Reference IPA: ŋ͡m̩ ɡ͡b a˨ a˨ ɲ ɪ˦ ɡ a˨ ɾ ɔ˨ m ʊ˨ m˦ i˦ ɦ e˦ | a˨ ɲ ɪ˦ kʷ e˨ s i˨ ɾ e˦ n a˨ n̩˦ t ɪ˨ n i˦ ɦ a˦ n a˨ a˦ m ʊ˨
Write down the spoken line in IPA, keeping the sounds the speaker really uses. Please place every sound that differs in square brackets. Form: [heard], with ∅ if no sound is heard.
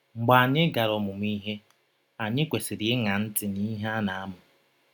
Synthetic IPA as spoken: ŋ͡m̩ ɡ͡b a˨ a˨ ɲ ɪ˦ ɡ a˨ ɾ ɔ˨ m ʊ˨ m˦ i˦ ɦ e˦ | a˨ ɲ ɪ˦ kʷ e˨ s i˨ ɾ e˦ [ŋ] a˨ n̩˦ t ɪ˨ n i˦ ɦ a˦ n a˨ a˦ m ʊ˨